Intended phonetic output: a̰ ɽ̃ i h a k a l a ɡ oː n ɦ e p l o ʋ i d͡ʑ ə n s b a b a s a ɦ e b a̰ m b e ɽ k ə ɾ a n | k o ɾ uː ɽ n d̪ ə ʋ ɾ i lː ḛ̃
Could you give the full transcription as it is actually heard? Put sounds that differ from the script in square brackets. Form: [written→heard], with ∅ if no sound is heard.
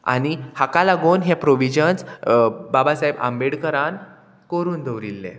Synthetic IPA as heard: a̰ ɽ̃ i h a k a l a ɡ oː n ɦ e p [l→ɾ] o ʋ i d͡ʑ ə n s b a b a s a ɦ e b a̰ m b e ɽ k ə ɾ a n | k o ɾ uː [ɽ→∅] n d̪ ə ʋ ɾ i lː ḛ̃